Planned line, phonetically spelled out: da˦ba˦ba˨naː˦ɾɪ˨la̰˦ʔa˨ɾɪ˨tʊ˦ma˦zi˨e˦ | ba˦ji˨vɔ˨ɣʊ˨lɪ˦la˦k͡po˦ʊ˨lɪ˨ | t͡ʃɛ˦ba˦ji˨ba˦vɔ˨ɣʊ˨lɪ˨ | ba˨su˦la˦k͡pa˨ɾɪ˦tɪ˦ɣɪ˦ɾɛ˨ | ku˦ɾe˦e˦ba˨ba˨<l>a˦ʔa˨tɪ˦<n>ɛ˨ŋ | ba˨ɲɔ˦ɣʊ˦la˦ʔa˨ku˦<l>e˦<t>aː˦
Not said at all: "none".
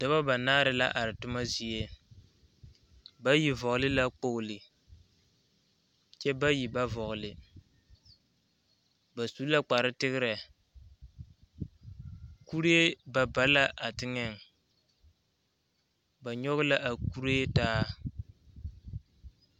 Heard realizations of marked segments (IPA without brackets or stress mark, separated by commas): l, ŋ, ɾ, t